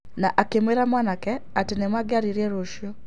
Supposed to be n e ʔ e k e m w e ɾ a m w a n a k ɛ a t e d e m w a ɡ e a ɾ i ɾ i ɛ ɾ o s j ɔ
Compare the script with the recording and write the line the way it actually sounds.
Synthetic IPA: n a ʔ a k e m w e ɾ a m w a n a k ɛ a t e n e m w a ɡ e a ɾ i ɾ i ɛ ɾ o ʃ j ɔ